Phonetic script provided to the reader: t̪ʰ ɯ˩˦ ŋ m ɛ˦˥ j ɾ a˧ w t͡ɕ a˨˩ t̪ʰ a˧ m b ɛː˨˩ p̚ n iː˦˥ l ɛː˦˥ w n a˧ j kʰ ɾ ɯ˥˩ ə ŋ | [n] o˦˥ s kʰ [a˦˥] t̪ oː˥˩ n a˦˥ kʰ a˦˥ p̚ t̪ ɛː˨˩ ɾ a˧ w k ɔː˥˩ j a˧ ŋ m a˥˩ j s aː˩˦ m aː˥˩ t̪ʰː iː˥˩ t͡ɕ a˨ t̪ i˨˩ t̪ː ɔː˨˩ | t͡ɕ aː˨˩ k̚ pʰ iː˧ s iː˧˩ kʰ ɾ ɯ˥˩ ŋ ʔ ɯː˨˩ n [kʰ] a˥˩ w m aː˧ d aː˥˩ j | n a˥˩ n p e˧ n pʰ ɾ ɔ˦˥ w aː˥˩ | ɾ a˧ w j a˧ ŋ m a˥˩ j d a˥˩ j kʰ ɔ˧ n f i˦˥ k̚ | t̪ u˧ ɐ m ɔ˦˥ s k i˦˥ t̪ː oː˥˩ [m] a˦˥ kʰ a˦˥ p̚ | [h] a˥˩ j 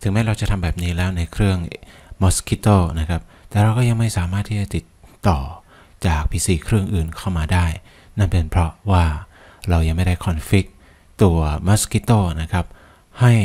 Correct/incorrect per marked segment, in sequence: incorrect: m, incorrect: i˦˥, correct, incorrect: n, correct

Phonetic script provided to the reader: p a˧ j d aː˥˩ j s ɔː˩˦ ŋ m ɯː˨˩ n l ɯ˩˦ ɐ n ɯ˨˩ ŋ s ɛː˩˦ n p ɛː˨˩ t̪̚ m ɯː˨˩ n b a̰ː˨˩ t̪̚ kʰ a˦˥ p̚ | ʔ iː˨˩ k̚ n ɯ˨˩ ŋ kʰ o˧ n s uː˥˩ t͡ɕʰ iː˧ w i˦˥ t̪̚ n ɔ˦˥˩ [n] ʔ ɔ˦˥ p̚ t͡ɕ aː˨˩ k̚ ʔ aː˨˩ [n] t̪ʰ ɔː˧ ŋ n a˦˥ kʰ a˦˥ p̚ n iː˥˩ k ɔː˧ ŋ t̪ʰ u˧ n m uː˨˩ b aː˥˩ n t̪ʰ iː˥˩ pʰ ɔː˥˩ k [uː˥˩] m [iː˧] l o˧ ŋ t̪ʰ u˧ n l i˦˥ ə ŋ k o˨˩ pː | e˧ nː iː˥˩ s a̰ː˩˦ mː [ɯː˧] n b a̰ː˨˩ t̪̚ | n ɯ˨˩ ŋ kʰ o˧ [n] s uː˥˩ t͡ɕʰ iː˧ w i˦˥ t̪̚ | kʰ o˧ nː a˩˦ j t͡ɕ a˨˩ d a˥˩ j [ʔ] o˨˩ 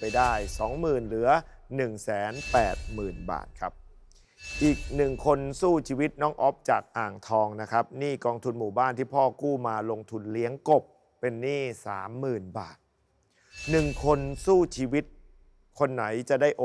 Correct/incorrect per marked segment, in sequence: incorrect: ŋ, incorrect: ŋ, correct, incorrect: aː˧, incorrect: ɯː˨˩, correct, correct

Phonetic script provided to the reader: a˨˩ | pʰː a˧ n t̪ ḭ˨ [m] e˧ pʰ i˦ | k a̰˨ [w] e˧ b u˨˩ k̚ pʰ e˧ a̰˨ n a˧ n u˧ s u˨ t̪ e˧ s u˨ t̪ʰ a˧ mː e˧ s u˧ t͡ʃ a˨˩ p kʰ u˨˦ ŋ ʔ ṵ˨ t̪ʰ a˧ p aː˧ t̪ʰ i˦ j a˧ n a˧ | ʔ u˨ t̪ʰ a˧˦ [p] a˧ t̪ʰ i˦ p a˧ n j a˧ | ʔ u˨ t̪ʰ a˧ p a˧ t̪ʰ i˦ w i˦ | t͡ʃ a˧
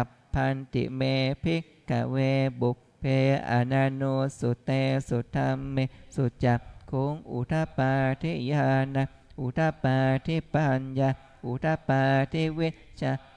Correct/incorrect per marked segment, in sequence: correct, correct, correct

